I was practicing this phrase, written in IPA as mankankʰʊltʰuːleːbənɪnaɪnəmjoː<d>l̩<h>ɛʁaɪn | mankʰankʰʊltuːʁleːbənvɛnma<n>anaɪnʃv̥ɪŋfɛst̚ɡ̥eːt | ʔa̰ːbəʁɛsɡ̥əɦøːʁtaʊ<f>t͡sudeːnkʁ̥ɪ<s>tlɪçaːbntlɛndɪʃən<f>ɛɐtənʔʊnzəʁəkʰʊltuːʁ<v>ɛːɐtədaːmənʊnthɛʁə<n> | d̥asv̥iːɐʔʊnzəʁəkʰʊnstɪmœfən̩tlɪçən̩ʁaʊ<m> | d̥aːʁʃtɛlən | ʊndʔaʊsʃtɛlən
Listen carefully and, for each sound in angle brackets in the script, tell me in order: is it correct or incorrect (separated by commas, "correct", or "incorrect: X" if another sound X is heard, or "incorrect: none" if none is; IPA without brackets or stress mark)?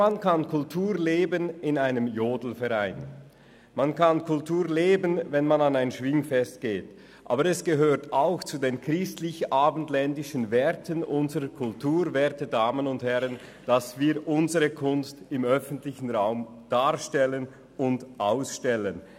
correct, incorrect: f, correct, incorrect: x, correct, incorrect: v, correct, correct, correct